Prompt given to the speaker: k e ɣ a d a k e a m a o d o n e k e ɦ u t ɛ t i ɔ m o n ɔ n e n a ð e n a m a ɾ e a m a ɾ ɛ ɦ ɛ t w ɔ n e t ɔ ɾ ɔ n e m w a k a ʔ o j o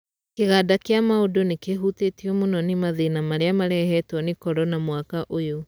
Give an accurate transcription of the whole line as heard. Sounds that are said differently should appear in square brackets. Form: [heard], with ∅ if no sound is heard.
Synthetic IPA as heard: k e ɣ a d a k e a m a o d o n e k e ɦ u t [e] t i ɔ m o n ɔ n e [m] a ð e n a m a ɾ e a m a ɾ ɛ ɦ ɛ t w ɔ n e [k] ɔ ɾ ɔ n [a] m w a k a ʔ o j o